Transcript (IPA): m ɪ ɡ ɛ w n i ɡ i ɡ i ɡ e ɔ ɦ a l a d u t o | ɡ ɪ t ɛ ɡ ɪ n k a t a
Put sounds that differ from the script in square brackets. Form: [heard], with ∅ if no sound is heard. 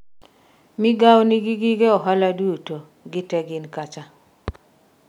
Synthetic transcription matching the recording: m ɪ ɡ [a] w n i ɡ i ɡ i ɡ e ɔ ɦ a l a d u t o | ɡ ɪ t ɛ ɡ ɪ n k a [t͡ʃ] a